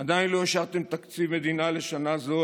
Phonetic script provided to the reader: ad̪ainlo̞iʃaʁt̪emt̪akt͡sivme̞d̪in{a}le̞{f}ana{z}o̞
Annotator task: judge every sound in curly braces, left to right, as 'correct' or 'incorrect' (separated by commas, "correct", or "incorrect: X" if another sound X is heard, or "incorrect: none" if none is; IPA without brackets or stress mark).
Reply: correct, incorrect: ʃ, correct